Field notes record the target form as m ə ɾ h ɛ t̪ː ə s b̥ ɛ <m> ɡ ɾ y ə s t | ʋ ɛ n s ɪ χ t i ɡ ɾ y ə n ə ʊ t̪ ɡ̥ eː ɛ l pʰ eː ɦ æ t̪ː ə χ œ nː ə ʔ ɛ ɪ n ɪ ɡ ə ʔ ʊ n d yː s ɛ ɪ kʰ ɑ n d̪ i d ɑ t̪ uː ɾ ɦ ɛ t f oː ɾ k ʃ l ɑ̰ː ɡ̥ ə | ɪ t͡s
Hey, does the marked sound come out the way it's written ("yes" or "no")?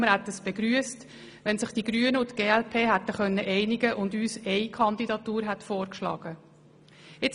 no